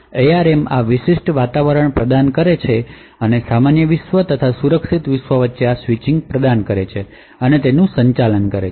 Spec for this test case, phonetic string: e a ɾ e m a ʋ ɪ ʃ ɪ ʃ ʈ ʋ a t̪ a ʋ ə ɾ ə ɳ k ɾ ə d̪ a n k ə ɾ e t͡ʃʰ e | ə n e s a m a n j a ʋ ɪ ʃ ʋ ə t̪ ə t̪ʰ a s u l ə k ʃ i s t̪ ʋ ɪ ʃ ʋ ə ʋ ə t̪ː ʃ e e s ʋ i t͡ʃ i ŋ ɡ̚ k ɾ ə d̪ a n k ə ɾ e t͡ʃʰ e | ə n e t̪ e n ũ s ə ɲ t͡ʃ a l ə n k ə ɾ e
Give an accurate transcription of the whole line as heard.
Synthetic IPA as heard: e a ɾ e m a ʋ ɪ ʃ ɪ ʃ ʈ ʋ a t̪ a ʋ ə ɾ ə ɳ p ɾ ə d̪ a n k ə ɾ e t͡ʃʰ e | ə n e s a m a n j ə ʋ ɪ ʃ ʋ ə t̪ ə t̪ʰ a s u ɾ ə k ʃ i t̪ ʋ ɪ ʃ ʋ ə ʋ ə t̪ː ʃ e a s ʋ i t͡ʃ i ŋ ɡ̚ p ɾ ə d̪ a n k ə ɾ e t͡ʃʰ e | ə n e t̪ e n ũ s ə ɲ t͡ʃ a l ə n k ə ɾ e